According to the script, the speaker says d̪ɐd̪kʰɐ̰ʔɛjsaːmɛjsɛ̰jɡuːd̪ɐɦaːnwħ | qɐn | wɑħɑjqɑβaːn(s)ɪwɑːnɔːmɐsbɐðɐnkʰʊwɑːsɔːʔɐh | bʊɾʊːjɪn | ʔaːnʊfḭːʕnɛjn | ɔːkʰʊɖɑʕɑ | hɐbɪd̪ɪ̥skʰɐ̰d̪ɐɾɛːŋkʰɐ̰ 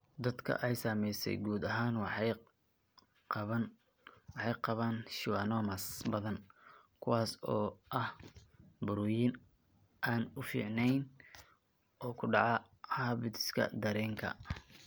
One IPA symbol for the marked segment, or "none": ʃ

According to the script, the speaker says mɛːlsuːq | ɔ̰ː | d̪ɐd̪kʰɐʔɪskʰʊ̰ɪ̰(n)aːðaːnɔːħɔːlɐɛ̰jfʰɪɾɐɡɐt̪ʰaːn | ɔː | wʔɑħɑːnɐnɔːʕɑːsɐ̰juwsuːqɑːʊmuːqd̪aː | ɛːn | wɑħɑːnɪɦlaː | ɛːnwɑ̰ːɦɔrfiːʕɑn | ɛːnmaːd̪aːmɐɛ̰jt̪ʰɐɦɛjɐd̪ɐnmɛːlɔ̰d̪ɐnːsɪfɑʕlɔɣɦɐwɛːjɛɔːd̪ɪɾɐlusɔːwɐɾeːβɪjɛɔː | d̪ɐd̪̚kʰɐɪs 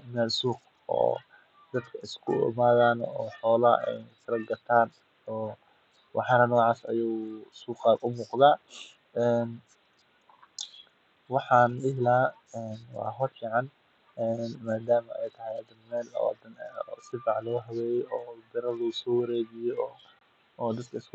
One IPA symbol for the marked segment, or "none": m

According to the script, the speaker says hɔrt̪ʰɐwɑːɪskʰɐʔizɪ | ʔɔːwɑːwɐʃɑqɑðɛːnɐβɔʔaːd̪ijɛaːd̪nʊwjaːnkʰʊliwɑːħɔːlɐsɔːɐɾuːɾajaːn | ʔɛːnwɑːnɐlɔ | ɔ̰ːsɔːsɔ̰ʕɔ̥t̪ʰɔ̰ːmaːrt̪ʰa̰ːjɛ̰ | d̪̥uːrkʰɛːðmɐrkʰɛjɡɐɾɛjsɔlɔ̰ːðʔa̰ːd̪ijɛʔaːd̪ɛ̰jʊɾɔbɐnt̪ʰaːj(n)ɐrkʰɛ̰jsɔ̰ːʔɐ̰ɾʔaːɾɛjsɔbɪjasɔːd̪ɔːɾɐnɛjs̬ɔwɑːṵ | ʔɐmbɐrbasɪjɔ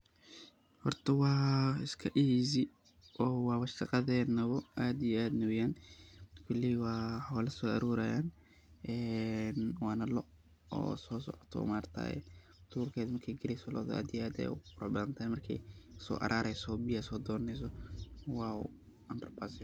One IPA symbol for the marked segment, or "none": m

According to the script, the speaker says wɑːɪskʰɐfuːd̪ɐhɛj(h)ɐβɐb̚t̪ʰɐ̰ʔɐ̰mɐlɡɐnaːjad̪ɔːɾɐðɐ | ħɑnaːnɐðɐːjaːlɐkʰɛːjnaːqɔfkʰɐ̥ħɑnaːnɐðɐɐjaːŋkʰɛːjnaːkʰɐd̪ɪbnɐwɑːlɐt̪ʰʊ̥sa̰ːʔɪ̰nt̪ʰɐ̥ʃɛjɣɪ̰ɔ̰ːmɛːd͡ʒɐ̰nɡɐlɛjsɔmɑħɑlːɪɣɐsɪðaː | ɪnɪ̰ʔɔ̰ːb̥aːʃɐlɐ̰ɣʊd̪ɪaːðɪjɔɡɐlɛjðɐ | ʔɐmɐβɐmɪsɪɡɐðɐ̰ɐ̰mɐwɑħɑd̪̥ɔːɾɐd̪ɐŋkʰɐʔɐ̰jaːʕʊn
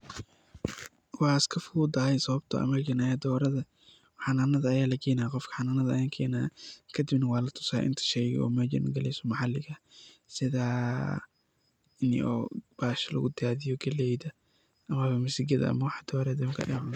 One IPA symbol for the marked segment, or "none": s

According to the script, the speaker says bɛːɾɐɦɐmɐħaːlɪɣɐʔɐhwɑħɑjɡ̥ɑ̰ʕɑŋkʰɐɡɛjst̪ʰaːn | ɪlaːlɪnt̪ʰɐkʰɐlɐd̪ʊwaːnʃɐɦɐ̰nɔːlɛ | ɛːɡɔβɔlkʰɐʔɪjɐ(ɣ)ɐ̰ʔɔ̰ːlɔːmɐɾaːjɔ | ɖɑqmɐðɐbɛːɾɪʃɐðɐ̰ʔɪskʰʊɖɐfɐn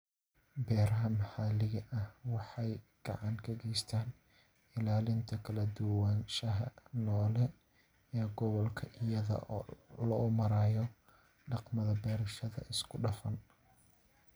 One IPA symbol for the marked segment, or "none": ð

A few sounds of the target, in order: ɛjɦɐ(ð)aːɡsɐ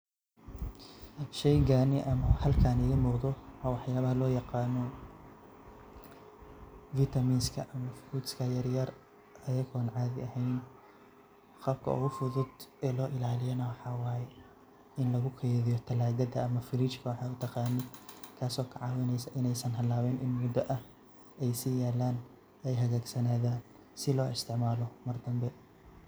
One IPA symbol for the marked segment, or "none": ɣ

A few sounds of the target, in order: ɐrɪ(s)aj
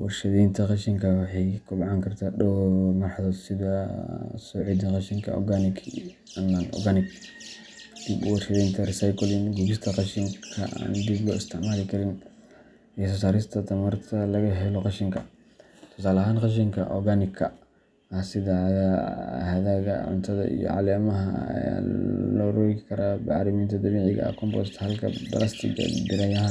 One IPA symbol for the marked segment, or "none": s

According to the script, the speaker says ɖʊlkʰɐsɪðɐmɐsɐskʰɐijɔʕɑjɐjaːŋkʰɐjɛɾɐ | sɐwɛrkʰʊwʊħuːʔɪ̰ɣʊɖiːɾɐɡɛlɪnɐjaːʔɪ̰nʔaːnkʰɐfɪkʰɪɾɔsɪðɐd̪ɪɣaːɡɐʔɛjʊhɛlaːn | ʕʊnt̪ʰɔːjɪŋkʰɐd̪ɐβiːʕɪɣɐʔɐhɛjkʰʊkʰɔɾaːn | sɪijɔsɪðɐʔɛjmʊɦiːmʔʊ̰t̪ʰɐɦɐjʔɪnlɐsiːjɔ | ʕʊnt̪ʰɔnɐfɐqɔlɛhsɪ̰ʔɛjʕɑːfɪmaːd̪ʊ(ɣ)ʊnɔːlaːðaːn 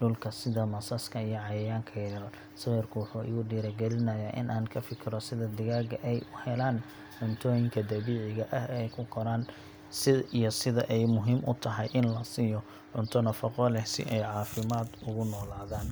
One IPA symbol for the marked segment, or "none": ɣ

